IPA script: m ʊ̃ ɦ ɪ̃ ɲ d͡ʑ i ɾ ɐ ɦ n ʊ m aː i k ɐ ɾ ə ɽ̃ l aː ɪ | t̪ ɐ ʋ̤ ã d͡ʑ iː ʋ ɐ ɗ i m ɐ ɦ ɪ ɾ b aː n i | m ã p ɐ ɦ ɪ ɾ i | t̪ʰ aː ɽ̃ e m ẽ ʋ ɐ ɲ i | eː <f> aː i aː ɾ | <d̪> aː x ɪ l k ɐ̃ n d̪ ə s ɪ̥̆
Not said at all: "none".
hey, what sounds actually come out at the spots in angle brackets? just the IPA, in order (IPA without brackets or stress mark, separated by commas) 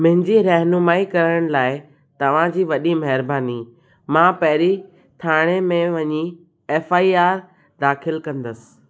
f, d̪